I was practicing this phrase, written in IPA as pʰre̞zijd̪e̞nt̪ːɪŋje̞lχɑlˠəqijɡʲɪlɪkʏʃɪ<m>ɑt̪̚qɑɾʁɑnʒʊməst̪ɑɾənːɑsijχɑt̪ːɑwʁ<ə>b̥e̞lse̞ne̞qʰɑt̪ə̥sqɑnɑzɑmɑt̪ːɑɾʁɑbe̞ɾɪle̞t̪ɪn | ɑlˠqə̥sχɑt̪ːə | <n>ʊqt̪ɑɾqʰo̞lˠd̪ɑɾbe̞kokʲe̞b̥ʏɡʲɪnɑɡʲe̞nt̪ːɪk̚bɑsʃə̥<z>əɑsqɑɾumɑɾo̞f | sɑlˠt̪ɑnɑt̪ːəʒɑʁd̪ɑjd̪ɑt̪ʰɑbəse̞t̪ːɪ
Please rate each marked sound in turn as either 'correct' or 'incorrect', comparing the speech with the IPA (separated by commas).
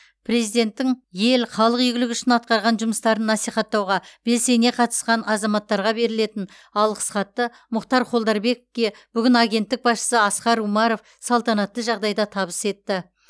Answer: incorrect, incorrect, incorrect, incorrect